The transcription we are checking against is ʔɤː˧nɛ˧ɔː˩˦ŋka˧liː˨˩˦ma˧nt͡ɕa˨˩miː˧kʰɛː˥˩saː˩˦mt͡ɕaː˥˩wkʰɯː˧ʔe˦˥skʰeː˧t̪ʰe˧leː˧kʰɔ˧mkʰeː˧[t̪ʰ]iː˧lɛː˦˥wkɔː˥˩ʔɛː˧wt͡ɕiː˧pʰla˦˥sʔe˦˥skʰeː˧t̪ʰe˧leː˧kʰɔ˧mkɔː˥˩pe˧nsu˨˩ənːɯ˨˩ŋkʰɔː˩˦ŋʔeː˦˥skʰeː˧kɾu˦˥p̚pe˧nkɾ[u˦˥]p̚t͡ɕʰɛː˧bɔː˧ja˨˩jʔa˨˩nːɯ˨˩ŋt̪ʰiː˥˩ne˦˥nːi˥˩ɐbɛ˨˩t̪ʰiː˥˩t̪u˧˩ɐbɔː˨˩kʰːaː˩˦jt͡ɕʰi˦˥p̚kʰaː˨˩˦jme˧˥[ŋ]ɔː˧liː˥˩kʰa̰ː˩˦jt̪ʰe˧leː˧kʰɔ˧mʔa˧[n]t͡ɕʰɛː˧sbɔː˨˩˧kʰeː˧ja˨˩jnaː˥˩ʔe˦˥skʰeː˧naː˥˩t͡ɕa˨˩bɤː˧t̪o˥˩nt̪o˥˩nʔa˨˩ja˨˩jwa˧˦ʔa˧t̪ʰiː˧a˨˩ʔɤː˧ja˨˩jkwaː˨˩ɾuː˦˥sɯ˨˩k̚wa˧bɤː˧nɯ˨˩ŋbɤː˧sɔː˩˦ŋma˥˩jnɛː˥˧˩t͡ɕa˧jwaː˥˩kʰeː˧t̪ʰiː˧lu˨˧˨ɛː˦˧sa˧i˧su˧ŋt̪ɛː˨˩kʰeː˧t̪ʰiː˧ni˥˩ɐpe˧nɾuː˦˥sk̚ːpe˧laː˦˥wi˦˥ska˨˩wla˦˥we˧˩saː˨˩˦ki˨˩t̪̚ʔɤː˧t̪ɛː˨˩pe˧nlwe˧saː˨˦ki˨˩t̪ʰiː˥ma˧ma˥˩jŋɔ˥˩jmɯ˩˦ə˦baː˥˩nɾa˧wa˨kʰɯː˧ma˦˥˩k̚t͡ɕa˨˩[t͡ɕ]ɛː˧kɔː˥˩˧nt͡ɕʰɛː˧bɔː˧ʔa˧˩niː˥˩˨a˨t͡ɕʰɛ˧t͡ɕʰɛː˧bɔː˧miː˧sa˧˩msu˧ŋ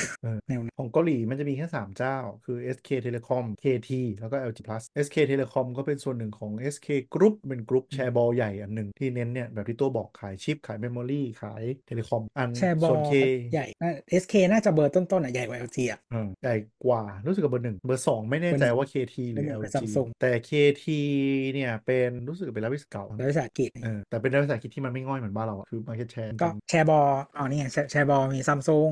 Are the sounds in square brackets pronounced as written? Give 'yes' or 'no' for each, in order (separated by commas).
yes, yes, no, yes, no